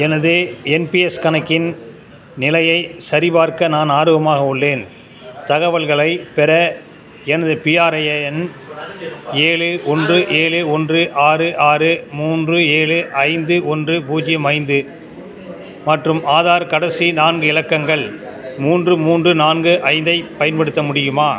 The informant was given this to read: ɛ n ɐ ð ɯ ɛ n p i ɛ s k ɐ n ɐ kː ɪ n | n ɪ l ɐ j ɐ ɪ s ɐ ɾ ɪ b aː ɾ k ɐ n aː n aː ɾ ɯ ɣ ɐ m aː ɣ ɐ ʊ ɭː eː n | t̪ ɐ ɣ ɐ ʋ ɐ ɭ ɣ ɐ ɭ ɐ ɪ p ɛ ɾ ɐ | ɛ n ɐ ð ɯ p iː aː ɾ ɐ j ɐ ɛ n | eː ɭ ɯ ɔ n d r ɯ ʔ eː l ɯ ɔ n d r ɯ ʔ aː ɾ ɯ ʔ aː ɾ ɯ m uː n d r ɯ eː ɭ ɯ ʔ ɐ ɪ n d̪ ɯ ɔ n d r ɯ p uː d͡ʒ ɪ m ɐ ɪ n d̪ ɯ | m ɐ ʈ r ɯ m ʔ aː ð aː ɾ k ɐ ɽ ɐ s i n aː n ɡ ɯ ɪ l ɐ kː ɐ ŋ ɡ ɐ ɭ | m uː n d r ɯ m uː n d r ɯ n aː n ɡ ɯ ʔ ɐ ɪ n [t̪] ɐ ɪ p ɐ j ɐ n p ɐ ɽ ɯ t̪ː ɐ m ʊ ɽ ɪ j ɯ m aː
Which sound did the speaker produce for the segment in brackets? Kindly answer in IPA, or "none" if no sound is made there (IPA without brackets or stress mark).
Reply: d̪